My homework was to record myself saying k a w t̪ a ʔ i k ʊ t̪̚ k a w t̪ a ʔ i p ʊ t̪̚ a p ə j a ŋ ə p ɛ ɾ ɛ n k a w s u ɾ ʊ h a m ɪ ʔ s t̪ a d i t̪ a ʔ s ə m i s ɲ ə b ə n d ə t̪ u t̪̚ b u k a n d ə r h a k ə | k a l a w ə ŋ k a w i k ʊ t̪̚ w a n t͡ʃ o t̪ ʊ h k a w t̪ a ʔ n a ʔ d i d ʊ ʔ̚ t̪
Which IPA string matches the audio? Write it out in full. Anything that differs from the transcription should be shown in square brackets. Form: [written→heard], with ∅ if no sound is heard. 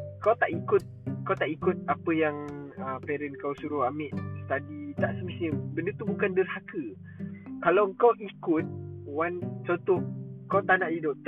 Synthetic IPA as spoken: k a w t̪ a ʔ i k ʊ t̪̚ k a w t̪ a ʔ i [p→k] ʊ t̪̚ a p ə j a ŋ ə p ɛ ɾ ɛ n k a w s u ɾ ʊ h a m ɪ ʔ s t̪ a d i t̪ a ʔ s ə m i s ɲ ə b ə n d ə t̪ u [t̪̚→∅] b u k a n d ə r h a k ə | k a l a w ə ŋ k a w i k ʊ t̪̚ w a n t͡ʃ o t̪ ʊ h k a w t̪ a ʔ n a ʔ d i d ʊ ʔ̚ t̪